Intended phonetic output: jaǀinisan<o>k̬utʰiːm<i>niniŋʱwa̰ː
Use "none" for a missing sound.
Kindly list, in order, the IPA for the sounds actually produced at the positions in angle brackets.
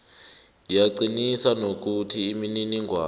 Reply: o, i

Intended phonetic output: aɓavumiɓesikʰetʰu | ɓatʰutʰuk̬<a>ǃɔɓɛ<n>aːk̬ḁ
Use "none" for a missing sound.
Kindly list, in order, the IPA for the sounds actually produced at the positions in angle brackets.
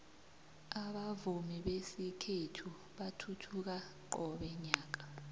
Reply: a, ɲ

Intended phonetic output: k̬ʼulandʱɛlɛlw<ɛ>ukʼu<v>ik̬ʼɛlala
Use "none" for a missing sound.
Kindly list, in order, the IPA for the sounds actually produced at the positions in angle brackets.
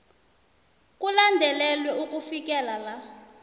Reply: ɛ, f

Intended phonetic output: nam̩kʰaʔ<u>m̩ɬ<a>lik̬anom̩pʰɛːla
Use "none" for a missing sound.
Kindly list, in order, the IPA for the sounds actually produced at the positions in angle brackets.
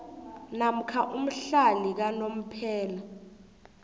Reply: u, a

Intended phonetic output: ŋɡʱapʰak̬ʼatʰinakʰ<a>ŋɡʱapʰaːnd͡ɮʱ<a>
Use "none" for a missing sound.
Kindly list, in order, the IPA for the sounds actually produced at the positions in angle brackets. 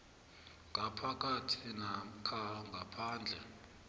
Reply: a, ɛ

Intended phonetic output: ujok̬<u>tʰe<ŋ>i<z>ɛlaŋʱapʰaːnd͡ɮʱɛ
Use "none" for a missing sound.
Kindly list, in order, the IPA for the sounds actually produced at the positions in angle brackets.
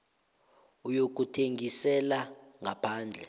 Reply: u, ŋ, s

